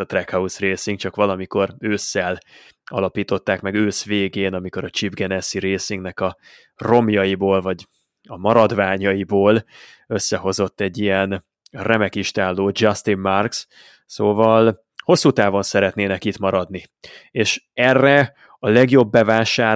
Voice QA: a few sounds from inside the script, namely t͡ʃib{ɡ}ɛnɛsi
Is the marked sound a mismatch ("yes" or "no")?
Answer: no